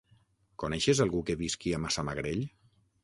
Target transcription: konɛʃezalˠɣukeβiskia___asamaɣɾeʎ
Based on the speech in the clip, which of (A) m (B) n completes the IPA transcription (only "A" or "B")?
A